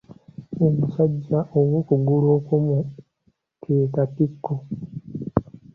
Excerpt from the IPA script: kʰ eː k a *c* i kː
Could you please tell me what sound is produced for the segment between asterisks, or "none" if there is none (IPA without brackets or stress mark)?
t